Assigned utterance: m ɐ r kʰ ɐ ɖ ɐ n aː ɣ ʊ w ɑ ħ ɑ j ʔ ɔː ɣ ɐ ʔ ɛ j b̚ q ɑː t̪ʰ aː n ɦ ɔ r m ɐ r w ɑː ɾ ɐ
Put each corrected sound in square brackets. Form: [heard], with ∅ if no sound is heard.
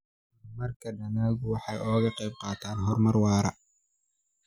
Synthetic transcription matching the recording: m ɐ r kʰ ɐ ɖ ɐ n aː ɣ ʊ w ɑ ħ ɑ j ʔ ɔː ɣ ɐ [q] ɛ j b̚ q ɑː t̪ʰ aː n ɦ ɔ r m ɐ r w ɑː ɾ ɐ